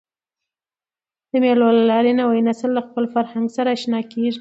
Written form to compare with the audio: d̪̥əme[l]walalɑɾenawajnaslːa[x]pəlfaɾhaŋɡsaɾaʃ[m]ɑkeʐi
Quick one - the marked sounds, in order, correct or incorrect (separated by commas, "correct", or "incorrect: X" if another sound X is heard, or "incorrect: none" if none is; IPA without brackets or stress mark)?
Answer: correct, correct, incorrect: n